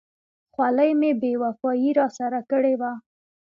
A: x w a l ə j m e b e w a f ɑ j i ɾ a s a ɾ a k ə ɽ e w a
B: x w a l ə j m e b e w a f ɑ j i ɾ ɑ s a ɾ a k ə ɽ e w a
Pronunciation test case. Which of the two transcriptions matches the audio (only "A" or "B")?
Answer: B